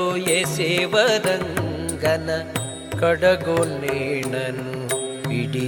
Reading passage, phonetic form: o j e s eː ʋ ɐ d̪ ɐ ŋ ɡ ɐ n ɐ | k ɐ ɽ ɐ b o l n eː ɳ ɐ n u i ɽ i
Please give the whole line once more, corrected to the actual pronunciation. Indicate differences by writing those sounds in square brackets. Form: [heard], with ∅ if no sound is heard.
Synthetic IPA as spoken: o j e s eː ʋ ɐ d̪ ɐ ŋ ɡ ɐ n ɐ | k ɐ ɽ ɐ [ɡ] o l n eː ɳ ɐ n u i ɽ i